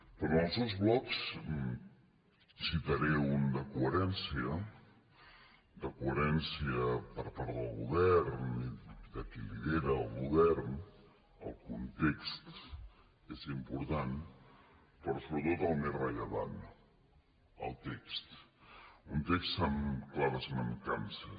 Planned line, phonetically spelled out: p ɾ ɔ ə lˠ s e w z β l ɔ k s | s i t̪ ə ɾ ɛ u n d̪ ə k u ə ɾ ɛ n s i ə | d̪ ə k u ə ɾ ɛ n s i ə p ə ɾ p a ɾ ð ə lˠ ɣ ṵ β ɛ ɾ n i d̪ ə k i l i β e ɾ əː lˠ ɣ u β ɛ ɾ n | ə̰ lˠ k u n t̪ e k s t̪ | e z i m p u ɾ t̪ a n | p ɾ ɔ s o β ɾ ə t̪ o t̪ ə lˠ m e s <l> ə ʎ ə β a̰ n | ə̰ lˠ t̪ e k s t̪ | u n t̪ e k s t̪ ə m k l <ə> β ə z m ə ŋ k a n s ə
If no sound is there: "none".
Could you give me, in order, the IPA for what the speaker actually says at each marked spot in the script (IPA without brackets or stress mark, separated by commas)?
r, a